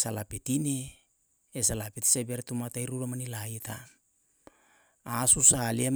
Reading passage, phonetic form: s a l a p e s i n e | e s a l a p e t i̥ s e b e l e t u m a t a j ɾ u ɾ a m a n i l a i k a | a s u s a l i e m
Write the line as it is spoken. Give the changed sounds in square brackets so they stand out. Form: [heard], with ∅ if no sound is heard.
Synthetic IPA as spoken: s a l a p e [t] i n e | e s a l a p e t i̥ s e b e [ɾ] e t u m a t a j ɾ u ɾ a m a n i l a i [t] a | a s u s a l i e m